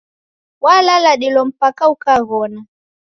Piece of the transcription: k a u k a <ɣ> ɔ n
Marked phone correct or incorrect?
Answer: correct